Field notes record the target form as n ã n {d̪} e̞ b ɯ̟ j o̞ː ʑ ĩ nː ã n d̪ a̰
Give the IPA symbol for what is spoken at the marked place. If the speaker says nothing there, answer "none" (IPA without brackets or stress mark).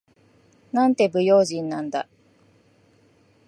t̪